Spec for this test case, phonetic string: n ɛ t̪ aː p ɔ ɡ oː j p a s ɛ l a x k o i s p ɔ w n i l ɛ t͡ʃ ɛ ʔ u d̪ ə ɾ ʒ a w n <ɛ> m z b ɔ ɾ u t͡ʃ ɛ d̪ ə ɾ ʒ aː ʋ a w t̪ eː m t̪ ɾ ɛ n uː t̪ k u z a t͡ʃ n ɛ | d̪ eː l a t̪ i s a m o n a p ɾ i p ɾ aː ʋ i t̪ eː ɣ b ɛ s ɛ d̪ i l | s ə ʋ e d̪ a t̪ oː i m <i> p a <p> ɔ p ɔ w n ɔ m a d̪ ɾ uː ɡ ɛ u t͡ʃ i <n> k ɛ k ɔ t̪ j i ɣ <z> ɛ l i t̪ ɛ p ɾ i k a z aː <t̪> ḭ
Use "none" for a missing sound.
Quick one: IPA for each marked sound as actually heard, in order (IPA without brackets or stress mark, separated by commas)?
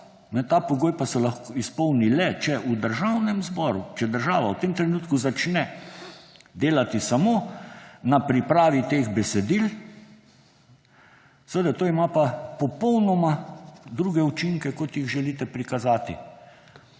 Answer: ɛ, a, p, ŋ, ʒ, t̪